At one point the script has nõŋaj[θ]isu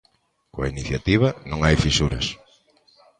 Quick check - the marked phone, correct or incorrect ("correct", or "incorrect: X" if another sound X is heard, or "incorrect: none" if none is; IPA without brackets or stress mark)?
incorrect: f